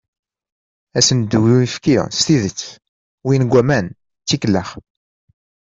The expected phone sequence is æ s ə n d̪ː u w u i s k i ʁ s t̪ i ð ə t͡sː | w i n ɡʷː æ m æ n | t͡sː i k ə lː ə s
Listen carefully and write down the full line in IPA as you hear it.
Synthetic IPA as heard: æ s ə n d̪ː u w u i f k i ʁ s t̪ i ð ə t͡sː | w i n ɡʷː æ m æ n | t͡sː i k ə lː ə χ